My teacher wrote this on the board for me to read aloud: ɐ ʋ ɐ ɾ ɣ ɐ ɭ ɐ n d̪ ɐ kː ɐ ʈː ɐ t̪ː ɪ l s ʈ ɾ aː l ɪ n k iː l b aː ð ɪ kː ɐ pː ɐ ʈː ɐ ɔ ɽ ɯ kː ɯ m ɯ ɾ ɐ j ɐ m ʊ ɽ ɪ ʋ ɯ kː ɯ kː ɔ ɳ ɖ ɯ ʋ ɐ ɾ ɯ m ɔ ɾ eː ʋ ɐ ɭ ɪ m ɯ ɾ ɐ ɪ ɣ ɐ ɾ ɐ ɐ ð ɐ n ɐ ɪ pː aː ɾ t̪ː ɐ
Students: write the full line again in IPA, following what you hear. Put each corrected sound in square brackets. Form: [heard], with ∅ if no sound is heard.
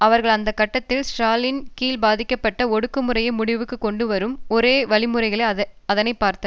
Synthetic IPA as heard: ɐ ʋ ɐ ɾ ɣ ɐ ɭ ɐ n d̪ ɐ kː ɐ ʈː ɐ t̪ː ɪ l s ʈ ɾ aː l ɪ n k iː l b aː ð ɪ kː ɐ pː ɐ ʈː ɐ ɔ ɽ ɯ kː ɯ m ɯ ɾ ɐ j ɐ m ʊ ɽ ɪ ʋ ɯ kː ɯ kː ɔ ɳ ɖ ɯ ʋ ɐ ɾ ɯ m ɔ ɾ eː ʋ ɐ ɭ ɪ m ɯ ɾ ɐ ɪ ɣ ɐ [ɭ] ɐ ɐ ð ɐ n ɐ ɪ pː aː ɾ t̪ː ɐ